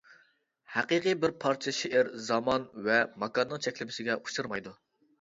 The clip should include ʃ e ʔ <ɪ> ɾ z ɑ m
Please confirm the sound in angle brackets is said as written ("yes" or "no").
yes